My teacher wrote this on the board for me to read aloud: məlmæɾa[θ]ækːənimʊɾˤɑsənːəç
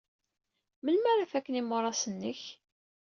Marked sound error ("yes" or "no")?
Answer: yes